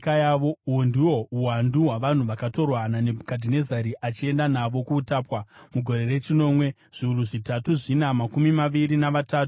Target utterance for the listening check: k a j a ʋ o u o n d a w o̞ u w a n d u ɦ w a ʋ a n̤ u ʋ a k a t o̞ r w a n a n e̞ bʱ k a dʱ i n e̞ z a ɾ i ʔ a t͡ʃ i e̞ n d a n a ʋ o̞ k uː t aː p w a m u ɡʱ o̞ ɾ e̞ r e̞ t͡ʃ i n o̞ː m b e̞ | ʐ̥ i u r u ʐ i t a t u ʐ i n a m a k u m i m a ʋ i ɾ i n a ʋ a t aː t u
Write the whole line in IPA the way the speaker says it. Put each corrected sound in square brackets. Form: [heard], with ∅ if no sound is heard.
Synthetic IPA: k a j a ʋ o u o n d [i] w o̞ u w a n d u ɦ w a ʋ a n̤ u ʋ a k a t o̞ r w a n a n e̞ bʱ k a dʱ i n e̞ z a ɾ i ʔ a t͡ʃ i e̞ n d a n a ʋ o̞ k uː t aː p w a m u ɡʱ o̞ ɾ e̞ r e̞ t͡ʃ i n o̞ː m [w] e̞ | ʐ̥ i u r u ʐ i t a t u ʐ i n a m a k u m i m a ʋ i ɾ i n a ʋ a t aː t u

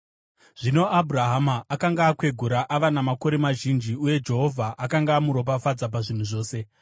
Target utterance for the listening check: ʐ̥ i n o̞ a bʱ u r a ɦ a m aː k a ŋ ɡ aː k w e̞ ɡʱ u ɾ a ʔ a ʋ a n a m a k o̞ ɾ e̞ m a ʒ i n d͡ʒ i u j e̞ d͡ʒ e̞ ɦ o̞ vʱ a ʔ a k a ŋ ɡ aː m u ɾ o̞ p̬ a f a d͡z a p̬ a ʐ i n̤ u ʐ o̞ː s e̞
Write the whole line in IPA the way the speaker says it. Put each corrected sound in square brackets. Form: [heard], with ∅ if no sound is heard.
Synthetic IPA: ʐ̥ i n o̞ a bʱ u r a ɦ a m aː k a ŋ ɡ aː k w e̞ ɡʱ u ɾ a ʔ a ʋ a n a m a k o̞ ɾ e̞ m a ʒ i n d͡ʒ i u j e̞ d͡ʒ e̞ ɦ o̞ vʱ a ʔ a k a ŋ ɡ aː m u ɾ o̞ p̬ a f a d͡z a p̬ a ʐ i n̤ u ʐ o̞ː s e̞

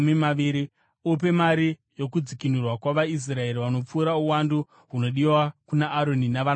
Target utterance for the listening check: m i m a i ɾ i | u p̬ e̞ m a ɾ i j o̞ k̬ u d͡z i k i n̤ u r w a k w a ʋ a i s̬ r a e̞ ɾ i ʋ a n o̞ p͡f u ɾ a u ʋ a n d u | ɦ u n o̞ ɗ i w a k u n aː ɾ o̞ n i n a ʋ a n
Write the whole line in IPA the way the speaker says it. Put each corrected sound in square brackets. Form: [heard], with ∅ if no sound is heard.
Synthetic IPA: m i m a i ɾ i | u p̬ e̞ m a ɾ i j o̞ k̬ u d͡z i k i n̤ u r w a k w a ʋ a i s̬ r a e̞ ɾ i ʋ a n o̞ p͡f [uː] ɾ a u [w] a n d u | ɦ u n o̞ ɗ i w a k u n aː ɾ o̞ n i n a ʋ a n

